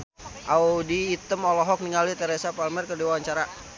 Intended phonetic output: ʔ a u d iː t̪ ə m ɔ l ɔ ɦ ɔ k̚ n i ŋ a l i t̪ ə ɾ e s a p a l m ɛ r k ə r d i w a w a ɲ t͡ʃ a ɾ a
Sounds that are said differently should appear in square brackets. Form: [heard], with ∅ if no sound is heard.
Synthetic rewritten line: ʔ a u d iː t̪ ə m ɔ l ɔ ɦ ɔ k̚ n i ŋ a l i t̪ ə ɾ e s a p a l m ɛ r k ə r d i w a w a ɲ t͡ʃ a ɾ a